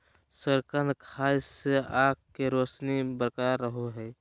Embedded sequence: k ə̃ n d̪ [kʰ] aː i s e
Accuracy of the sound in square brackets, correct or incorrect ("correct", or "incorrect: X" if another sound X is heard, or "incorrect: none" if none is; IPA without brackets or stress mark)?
correct